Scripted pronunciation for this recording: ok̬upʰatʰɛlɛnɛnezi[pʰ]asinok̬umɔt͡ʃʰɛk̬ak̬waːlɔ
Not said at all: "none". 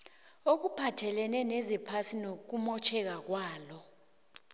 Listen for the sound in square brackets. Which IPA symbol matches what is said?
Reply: pʰ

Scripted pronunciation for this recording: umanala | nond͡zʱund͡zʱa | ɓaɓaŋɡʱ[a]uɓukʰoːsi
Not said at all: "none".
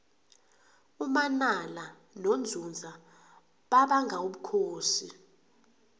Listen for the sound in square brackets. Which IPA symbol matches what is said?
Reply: a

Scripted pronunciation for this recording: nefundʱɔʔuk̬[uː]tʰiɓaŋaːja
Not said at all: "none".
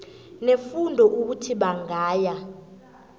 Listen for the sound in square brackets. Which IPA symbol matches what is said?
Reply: u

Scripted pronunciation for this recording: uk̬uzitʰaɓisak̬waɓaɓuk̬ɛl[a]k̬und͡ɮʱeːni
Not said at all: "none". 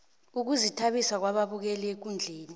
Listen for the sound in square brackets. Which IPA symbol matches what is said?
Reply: e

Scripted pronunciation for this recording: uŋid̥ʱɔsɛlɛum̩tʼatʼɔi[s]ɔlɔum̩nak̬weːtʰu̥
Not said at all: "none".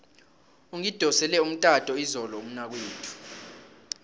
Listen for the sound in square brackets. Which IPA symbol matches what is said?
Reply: z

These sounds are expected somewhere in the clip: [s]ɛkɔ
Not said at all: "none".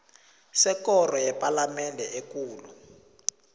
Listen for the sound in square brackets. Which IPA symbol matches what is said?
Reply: s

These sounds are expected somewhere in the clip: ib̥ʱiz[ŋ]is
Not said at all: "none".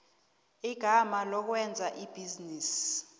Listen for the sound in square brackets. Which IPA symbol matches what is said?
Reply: n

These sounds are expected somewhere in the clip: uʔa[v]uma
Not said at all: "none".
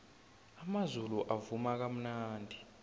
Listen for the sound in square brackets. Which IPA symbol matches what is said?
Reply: v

